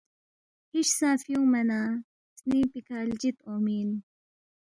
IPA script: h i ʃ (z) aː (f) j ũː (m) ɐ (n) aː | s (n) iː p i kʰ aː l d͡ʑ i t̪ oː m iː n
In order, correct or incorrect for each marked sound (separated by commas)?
incorrect, correct, correct, correct, correct